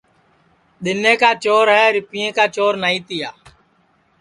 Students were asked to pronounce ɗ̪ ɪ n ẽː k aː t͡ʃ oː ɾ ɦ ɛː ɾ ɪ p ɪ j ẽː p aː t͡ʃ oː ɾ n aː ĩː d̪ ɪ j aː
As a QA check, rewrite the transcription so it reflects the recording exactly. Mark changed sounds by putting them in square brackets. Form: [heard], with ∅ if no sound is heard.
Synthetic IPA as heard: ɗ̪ ɪ n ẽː k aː t͡ʃ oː ɾ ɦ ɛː ɾ ɪ p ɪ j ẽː [k] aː t͡ʃ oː ɾ n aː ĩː [t̪] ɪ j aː